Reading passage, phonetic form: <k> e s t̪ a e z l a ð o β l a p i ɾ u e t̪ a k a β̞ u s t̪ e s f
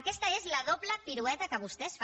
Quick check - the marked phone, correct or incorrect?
correct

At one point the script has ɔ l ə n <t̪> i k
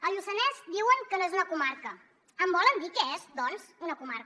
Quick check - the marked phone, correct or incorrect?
incorrect: d̪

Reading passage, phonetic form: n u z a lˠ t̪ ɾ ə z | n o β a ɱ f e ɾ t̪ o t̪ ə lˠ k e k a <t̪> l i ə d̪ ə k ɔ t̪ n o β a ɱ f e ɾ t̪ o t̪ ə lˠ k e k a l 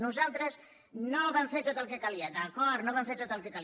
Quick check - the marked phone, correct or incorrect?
incorrect: none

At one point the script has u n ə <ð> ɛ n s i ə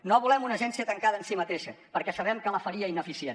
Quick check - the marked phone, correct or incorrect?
incorrect: ʒ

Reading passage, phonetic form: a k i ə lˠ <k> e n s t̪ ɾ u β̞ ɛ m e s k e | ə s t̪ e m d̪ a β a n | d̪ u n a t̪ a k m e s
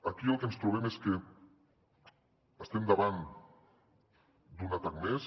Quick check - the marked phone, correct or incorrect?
correct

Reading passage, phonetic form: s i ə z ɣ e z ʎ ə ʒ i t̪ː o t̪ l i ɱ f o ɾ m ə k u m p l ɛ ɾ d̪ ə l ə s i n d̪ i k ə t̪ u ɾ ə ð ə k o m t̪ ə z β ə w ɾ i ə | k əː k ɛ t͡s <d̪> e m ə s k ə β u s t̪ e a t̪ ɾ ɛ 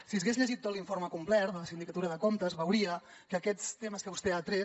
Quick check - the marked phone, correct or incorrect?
incorrect: t̪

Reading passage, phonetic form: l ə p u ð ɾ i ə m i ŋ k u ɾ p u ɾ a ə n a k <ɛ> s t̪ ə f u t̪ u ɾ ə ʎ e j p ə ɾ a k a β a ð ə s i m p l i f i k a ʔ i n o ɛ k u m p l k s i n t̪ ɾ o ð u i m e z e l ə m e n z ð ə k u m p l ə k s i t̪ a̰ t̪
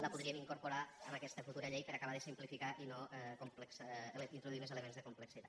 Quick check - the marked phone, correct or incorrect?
correct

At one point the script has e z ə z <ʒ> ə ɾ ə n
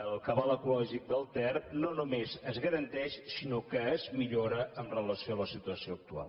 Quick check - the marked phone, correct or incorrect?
incorrect: ɣ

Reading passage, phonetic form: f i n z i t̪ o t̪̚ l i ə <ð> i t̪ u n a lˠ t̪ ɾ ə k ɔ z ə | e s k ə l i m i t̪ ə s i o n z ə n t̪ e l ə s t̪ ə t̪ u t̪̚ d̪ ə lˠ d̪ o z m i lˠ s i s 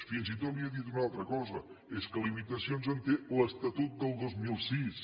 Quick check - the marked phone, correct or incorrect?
correct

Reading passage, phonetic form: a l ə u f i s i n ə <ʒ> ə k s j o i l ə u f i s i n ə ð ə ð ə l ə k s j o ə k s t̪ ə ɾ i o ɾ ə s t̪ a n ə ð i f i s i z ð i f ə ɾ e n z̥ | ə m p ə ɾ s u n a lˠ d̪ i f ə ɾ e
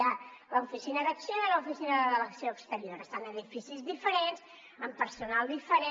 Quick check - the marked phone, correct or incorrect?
incorrect: ð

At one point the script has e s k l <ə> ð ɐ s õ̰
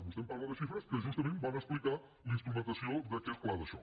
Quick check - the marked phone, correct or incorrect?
incorrect: a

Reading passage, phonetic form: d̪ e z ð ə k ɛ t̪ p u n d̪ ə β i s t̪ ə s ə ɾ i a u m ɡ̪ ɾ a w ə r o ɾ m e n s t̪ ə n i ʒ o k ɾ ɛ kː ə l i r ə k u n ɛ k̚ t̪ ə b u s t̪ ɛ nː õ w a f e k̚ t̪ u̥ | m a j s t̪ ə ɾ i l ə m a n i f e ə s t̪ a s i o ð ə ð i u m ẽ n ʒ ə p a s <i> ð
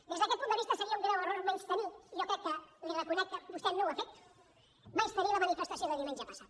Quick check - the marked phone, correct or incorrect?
incorrect: a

